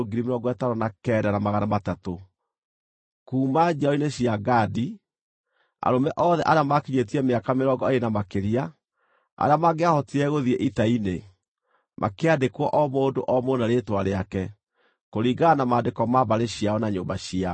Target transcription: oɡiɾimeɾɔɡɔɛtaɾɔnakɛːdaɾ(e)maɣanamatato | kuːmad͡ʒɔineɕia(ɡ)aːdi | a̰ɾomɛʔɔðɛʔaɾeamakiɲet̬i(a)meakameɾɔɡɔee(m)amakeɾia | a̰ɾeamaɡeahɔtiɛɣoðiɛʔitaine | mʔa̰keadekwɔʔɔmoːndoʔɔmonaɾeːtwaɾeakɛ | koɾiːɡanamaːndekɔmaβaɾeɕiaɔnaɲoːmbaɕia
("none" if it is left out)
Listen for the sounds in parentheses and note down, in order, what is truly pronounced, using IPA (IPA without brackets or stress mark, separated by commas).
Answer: a, ɡ, ɛ, n